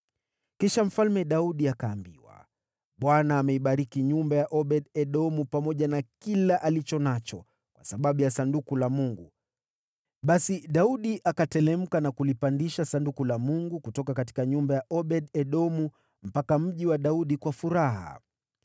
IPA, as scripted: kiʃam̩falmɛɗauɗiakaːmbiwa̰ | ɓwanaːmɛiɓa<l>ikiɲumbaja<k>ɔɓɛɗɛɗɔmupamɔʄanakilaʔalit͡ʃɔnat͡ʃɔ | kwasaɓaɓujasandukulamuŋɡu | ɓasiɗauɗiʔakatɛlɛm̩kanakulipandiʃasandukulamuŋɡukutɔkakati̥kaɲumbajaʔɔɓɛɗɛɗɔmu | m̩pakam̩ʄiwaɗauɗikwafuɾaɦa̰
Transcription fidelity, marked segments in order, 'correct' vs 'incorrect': incorrect: ɾ, incorrect: ʔ

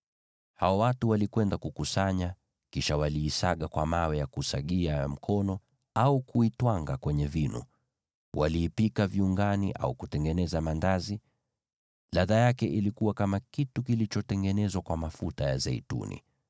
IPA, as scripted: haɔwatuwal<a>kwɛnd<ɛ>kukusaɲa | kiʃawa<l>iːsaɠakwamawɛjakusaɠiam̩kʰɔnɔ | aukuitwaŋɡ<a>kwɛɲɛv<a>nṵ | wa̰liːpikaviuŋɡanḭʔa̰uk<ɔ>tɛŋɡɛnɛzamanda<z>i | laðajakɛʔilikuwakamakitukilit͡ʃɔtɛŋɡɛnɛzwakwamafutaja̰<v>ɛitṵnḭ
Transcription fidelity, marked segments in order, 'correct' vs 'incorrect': incorrect: i, incorrect: a, correct, correct, incorrect: i, incorrect: u, correct, incorrect: z

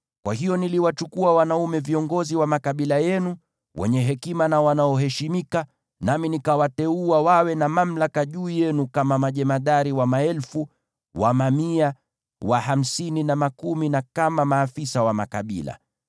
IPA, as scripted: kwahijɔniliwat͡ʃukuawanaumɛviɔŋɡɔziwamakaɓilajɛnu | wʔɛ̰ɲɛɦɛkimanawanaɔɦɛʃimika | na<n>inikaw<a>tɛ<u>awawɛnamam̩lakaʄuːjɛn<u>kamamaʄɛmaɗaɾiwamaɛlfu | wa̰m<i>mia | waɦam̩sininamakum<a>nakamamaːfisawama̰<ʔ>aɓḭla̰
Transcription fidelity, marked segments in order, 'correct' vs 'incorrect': incorrect: m, correct, correct, correct, incorrect: a, incorrect: i, incorrect: k

